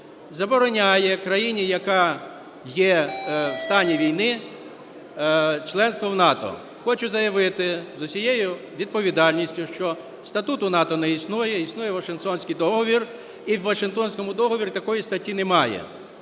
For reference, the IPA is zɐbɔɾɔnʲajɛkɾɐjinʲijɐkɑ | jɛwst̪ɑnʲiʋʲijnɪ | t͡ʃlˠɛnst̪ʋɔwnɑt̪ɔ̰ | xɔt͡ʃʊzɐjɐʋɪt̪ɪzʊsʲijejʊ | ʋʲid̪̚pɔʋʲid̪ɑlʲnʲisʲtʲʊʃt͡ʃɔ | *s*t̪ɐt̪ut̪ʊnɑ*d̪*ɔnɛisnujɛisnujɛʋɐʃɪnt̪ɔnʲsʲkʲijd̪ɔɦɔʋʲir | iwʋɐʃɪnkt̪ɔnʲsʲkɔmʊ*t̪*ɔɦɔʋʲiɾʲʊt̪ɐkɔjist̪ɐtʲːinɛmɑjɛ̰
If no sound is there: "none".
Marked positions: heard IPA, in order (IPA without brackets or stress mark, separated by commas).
s, t̪, d̪